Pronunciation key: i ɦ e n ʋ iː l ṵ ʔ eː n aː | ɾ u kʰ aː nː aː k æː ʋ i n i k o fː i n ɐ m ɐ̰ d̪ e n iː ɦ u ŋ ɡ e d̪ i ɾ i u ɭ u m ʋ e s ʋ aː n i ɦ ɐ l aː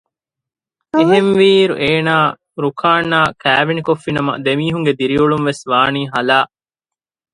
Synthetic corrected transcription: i ɦ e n ʋ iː ɾ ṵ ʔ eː n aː | ɾ u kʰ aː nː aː k æː ʋ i n i k o fː i n ɐ m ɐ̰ d̪ e m iː ɦ u ŋ ɡ e d̪ i ɾ i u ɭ u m ʋ e s ʋ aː n iː ɦ ɐ l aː